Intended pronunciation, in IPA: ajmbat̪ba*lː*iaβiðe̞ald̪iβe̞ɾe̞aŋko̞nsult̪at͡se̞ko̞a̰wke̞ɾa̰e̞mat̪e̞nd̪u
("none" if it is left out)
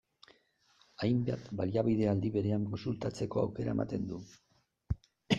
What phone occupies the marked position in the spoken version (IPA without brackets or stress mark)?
l